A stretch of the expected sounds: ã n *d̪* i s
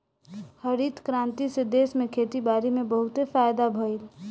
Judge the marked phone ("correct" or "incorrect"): incorrect